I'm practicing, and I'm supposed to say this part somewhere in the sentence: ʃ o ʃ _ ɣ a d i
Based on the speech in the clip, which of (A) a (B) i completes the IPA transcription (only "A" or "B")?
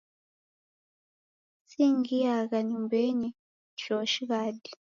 B